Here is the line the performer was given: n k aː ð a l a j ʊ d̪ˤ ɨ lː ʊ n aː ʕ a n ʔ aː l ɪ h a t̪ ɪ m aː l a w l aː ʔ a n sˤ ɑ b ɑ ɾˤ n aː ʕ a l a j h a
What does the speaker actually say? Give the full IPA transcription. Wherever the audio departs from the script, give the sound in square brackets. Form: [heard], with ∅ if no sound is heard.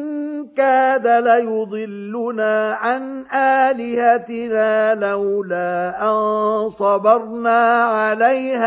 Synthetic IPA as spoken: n k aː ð a l a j ʊ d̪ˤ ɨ lː ʊ n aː ʕ a n ʔ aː l ɪ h a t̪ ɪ [n] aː l a w l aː ʔ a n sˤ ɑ b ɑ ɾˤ n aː ʕ a l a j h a